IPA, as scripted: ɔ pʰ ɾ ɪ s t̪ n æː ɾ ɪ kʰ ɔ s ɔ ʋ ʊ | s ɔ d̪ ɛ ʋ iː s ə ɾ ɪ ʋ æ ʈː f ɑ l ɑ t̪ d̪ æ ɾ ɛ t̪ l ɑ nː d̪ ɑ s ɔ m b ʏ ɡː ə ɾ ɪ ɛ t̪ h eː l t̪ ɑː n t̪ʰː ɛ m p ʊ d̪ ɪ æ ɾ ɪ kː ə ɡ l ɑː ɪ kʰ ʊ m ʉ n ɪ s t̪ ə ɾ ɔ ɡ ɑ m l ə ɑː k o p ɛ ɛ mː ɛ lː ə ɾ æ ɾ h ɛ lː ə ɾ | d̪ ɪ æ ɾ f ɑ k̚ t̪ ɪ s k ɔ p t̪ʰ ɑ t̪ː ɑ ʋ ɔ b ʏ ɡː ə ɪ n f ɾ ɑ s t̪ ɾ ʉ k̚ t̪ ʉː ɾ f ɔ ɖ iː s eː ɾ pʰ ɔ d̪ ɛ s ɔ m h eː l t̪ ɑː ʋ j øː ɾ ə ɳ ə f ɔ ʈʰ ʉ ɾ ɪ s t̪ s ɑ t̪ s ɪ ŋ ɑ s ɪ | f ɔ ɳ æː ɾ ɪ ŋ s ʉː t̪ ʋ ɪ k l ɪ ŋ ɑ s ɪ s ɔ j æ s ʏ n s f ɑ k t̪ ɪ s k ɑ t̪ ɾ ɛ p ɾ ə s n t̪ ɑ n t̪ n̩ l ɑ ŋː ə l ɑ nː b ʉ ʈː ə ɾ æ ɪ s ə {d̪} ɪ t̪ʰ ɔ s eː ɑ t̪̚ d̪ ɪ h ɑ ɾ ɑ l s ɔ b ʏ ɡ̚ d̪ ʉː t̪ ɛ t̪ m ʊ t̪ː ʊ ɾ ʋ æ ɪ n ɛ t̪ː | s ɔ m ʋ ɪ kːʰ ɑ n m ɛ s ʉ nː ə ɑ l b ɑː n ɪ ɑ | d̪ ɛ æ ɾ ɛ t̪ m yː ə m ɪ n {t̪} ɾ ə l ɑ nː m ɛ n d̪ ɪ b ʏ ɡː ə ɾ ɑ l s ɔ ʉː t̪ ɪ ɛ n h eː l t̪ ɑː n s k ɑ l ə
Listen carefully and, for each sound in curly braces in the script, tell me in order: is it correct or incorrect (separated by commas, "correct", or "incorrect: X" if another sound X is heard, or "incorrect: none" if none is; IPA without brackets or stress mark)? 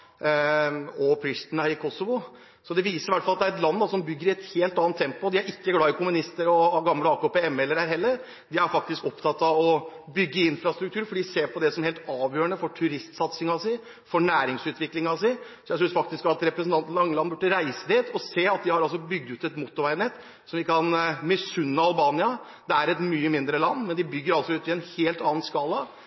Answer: correct, incorrect: d̪